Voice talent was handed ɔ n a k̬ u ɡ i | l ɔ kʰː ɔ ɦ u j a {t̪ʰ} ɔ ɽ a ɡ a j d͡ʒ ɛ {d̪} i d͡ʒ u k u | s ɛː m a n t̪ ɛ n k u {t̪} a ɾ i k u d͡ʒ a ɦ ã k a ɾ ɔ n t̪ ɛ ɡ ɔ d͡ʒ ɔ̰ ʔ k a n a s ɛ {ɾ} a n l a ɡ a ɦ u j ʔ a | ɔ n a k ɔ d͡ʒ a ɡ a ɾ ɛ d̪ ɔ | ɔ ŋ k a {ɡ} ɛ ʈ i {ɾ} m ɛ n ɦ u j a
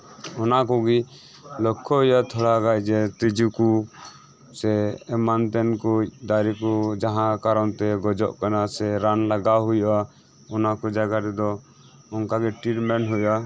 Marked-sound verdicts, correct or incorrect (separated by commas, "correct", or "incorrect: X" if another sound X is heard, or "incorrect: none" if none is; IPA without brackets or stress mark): correct, incorrect: t̪, incorrect: d̪, correct, correct, correct